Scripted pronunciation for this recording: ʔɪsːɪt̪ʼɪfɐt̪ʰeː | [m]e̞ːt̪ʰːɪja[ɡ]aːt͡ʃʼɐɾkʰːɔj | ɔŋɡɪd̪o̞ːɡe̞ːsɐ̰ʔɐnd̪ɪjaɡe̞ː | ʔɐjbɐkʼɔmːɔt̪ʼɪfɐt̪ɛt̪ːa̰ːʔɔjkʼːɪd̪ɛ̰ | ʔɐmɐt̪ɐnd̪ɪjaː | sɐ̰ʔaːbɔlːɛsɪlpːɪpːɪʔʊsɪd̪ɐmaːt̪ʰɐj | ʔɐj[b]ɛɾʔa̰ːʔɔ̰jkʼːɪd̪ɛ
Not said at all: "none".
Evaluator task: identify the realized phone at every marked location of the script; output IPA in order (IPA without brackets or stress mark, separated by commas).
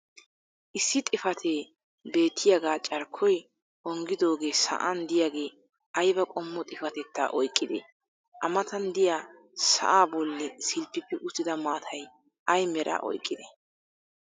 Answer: b, ɡ, m